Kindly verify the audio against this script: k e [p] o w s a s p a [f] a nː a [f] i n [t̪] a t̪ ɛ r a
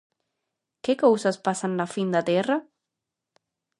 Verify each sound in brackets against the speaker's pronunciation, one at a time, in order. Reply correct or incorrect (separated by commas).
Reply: incorrect, incorrect, correct, incorrect